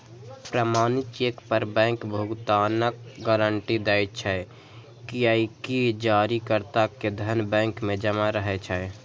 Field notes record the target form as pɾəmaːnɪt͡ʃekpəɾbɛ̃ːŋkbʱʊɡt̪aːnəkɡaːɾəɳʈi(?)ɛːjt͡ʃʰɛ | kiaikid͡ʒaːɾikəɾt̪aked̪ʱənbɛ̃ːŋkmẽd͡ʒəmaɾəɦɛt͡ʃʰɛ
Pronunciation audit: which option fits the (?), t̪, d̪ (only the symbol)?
d̪